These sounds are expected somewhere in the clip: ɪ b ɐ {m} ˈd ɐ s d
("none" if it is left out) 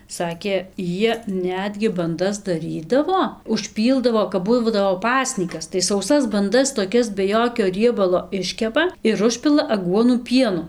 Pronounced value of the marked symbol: n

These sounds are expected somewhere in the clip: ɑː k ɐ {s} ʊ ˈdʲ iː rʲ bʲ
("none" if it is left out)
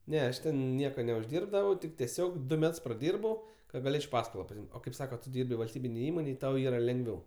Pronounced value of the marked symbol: t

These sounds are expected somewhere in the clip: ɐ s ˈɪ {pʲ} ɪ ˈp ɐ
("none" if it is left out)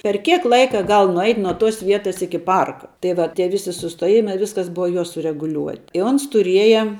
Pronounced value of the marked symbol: kʲ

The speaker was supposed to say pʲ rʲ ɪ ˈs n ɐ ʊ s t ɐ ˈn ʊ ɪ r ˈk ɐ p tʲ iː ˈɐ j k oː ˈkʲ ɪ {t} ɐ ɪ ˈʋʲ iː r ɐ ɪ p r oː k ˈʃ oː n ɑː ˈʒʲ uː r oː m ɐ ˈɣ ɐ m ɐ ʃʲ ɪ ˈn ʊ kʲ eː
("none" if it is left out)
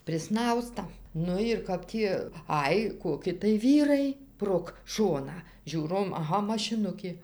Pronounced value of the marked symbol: t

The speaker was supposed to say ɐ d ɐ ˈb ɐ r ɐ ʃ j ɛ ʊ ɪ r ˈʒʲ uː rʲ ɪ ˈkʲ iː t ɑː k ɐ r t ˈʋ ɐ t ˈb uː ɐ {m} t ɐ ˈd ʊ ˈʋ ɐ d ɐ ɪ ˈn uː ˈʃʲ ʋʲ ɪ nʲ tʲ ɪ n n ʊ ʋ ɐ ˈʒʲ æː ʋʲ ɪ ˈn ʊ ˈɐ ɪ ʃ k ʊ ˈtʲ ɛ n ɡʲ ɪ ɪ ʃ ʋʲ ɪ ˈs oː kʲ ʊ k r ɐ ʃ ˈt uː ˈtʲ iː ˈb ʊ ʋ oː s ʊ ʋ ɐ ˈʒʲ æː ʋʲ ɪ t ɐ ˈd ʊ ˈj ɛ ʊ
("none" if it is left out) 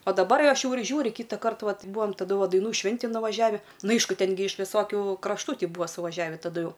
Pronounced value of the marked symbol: m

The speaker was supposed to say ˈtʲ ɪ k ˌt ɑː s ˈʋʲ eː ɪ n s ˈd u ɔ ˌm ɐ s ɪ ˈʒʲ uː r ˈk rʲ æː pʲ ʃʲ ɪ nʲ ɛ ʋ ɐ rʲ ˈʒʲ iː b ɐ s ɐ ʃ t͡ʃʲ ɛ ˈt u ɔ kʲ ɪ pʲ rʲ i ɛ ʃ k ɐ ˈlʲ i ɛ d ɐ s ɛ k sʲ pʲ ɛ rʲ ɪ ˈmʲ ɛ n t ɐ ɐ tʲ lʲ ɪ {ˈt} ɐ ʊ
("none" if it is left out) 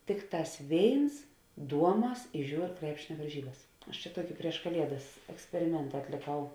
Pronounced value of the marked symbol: k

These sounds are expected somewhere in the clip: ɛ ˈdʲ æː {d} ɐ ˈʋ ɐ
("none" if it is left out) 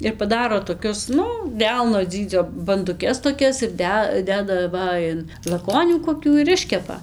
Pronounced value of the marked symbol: d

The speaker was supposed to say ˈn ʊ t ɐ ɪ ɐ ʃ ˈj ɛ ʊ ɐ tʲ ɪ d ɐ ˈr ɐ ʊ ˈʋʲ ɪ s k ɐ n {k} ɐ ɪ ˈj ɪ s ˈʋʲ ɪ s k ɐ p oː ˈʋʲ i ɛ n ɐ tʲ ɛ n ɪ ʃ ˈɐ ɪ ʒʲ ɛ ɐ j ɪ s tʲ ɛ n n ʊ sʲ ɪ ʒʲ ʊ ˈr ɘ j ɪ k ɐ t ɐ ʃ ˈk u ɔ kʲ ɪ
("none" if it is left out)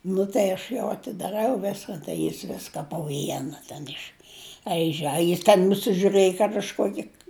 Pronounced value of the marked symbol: t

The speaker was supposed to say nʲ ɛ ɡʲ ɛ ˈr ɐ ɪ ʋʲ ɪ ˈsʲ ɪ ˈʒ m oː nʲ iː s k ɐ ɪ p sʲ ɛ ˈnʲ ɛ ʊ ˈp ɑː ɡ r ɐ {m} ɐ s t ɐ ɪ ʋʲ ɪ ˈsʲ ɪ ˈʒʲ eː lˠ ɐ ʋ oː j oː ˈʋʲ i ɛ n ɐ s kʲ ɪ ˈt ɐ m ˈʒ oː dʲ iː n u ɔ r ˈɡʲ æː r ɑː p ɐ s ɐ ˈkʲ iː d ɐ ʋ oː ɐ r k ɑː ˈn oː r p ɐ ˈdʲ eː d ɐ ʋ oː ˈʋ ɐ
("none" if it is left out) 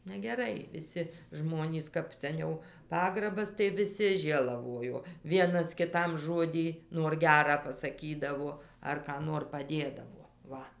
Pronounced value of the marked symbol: b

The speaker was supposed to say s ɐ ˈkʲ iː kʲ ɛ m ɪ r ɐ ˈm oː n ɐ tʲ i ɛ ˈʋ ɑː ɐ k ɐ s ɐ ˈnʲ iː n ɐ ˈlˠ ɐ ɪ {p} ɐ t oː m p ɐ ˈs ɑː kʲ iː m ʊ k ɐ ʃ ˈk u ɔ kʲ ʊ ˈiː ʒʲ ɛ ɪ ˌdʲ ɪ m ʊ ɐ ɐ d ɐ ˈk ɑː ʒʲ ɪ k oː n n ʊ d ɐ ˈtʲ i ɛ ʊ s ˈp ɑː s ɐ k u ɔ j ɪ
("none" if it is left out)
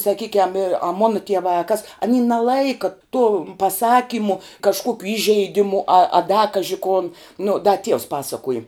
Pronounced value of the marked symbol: k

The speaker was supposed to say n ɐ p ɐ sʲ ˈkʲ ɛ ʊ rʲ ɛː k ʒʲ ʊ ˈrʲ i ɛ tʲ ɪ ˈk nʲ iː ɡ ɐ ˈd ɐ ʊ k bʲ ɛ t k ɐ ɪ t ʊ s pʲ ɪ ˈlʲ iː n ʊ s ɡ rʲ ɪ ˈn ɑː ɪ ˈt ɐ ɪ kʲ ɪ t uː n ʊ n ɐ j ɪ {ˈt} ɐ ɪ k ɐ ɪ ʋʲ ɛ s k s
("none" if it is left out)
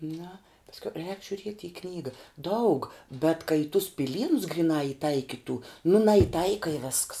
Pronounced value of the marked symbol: t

